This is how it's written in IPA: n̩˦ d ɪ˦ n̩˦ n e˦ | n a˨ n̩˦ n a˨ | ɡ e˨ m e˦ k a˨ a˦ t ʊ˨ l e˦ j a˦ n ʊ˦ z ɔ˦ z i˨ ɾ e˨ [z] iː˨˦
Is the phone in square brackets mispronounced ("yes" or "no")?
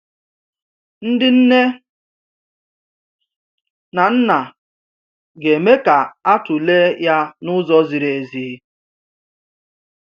no